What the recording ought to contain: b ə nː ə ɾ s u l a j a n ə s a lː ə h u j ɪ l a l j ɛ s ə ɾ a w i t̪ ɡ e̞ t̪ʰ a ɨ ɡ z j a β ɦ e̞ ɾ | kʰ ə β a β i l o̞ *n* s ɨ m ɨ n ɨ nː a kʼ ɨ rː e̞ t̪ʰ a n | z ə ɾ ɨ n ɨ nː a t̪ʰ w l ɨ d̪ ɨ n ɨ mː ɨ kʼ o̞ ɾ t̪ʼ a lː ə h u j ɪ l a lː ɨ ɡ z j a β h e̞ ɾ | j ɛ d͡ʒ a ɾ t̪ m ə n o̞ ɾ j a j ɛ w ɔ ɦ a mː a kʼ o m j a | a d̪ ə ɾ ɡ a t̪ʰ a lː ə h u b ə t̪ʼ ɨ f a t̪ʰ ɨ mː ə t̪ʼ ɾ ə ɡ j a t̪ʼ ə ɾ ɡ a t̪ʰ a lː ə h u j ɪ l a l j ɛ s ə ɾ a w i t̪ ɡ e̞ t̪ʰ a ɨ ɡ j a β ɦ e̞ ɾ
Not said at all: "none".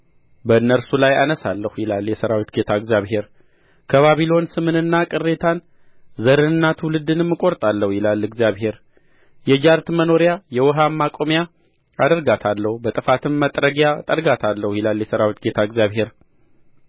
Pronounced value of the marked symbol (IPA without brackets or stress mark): n